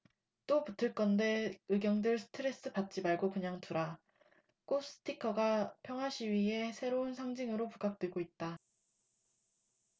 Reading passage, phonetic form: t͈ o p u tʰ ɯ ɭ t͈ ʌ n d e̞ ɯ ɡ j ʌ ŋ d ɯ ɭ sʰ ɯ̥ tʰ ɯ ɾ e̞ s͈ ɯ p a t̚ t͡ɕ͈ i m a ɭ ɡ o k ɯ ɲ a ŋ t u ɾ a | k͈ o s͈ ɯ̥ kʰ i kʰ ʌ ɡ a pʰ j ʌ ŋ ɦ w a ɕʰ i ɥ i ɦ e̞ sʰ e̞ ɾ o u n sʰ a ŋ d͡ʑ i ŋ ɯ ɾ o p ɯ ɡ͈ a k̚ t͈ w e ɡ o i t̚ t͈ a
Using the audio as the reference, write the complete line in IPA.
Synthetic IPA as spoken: t͈ o p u tʰ ɯ ɭ k͈ ʌ n d e̞ ɯ ɡ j ʌ ŋ d ɯ ɭ sʰ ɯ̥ tʰ ɯ ɾ e̞ s͈ ɯ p a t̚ t͡ɕ͈ i m a ɭ ɡ o k ɯ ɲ a ŋ t u ɾ a | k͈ o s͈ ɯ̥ tʰ i kʰ ʌ ɡ a pʰ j ʌ ŋ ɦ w a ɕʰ i ɥ i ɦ e̞ sʰ e̞ ɾ o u n sʰ a ŋ d͡ʑ i ŋ ɯ ɾ o p u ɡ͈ a k̚ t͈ w e ɡ o i t̚ t͈ a